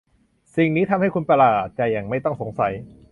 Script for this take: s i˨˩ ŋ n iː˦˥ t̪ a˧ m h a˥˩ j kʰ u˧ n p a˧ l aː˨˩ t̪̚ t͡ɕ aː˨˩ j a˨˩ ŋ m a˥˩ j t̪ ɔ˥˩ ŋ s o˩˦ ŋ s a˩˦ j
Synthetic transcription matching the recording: s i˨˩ ŋ n iː˦˥ t̪ʰ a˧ m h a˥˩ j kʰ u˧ n p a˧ l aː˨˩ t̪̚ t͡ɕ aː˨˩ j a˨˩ ŋ m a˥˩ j t̪ ɔ˥˩ ŋ s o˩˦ ŋ s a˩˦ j